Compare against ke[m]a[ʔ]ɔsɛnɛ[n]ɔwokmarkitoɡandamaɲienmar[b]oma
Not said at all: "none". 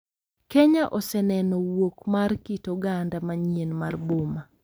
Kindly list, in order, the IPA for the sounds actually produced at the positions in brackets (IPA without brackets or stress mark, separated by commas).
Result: ɲ, ʔ, n, b